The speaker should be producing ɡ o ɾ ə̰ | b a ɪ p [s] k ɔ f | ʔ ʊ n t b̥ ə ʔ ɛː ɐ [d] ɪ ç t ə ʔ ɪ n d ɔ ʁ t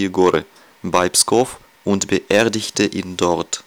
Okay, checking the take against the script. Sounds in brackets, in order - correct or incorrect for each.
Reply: correct, correct

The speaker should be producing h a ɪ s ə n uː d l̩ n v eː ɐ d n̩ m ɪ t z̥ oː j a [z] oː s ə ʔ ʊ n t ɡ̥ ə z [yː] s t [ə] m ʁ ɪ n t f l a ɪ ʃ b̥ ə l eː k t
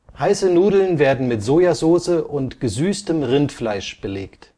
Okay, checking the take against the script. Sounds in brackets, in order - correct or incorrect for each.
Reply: correct, correct, correct

